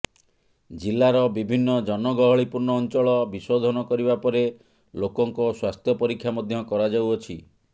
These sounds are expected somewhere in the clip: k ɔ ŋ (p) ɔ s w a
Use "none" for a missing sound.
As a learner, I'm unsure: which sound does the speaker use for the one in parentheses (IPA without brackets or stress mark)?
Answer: k